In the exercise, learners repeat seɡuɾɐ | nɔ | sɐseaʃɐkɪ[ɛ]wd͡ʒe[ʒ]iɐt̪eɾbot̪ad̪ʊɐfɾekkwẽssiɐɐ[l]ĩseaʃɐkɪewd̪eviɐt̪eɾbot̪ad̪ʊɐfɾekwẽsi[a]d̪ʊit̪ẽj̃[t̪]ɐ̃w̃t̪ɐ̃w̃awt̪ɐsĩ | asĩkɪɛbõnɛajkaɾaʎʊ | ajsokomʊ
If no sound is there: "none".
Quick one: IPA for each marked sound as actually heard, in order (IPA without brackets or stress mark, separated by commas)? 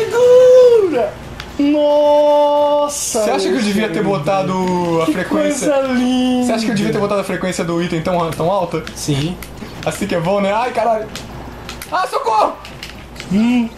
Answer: e, v, l, ɐ, t̪